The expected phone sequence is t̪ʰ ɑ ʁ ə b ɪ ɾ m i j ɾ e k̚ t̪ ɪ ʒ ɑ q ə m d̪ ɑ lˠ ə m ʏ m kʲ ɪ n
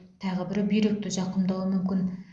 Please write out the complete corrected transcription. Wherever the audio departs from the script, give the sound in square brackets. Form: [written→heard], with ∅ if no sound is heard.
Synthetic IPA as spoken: t̪ʰ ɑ ʁ ə b ɪ ɾ [m→b] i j ɾ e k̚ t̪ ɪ ʒ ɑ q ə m d̪ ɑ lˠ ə m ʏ m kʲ ɪ n